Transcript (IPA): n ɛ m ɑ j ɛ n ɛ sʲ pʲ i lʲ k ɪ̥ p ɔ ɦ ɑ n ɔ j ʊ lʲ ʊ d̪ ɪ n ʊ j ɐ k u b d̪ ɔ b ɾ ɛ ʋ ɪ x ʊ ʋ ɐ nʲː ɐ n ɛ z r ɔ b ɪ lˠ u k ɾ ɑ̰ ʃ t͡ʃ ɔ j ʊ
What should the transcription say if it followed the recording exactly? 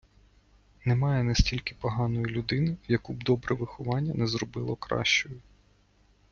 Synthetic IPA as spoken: n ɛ m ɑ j ɛ n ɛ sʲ tʲ i lʲ k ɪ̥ p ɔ ɦ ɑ n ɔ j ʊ lʲ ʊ d̪ ɪ n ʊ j ɐ k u b d̪ ɔ b ɾ ɛ ʋ ɪ x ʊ ʋ ɑ nʲː ɐ n ɛ z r ɔ b ɪ lˠ ɔ k ɾ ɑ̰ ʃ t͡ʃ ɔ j ʊ